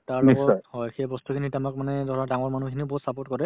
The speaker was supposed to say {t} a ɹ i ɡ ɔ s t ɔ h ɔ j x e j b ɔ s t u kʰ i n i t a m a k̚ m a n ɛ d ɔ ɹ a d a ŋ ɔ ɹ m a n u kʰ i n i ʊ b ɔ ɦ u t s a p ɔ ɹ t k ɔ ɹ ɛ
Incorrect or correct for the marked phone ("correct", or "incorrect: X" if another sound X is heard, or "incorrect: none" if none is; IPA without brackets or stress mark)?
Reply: correct